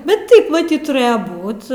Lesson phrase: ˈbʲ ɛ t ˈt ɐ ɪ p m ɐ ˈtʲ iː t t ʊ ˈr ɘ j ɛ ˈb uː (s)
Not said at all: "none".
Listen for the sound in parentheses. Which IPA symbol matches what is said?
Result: t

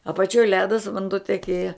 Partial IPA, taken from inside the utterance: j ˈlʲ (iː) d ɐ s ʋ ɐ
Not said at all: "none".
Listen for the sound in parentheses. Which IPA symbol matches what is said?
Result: æː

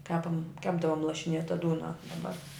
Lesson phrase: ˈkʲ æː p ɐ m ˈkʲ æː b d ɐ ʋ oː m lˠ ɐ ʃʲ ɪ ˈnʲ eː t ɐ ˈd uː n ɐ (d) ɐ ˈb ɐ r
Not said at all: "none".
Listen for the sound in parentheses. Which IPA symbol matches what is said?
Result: d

